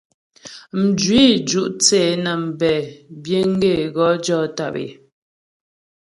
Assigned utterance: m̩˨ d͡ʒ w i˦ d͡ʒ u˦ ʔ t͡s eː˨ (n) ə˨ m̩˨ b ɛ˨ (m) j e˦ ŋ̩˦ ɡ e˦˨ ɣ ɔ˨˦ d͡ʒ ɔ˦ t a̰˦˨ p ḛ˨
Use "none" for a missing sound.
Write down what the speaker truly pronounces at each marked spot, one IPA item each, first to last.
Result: n, b

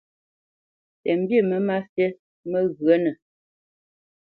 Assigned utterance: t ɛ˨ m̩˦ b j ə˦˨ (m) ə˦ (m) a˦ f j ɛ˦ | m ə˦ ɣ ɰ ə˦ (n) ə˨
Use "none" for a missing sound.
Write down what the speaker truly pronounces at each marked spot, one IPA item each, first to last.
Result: m, m, n

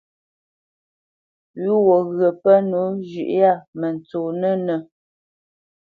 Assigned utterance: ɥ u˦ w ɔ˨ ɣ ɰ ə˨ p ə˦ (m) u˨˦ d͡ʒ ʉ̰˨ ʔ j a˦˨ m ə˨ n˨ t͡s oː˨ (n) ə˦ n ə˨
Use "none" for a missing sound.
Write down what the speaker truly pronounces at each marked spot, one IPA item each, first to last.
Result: n, n

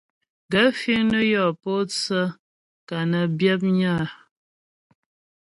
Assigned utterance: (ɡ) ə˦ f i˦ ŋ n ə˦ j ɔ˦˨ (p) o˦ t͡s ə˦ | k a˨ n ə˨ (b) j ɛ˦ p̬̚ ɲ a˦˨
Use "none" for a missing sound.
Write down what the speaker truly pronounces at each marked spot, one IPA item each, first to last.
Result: ɡ, p, b

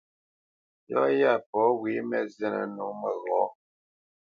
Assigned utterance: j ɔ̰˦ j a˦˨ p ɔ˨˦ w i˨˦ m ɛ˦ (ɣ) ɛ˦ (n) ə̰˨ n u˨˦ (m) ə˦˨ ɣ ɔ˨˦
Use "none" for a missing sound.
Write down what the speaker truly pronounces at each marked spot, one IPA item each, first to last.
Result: z, n, m

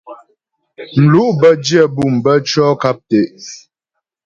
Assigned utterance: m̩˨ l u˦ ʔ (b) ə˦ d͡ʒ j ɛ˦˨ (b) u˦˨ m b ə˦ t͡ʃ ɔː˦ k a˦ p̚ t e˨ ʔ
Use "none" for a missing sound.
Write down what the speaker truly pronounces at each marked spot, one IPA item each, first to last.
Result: b, b

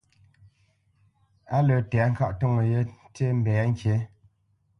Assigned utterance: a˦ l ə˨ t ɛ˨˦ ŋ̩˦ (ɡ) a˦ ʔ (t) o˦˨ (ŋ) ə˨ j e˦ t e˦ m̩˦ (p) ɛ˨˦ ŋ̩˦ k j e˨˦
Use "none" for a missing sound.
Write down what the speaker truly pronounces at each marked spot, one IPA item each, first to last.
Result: k, t, ŋ, b

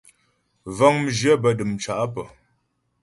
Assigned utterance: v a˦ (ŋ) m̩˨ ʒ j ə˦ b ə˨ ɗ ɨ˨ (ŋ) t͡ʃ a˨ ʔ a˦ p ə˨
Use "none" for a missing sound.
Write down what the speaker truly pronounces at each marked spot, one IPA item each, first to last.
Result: ŋ, m

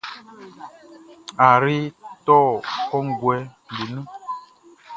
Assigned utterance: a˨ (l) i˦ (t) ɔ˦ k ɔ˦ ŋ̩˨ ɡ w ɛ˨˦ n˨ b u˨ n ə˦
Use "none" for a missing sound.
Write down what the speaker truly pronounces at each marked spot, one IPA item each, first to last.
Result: ɾ, t

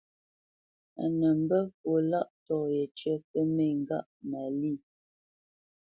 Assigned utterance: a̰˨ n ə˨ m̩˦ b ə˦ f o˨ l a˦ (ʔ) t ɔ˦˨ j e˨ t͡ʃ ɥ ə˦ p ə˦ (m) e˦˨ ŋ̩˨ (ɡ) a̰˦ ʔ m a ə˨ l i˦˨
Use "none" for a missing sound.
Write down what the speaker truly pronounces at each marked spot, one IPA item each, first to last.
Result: ʔ, m, ɡ

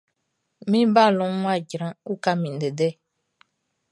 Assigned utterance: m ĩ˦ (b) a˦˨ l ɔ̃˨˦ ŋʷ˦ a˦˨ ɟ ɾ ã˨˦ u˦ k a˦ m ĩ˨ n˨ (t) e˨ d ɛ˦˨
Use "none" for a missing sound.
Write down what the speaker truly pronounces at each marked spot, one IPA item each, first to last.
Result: b, d

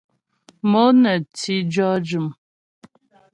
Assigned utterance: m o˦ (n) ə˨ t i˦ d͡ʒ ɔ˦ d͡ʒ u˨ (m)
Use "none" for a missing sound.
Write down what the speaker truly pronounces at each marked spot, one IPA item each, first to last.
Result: n, m

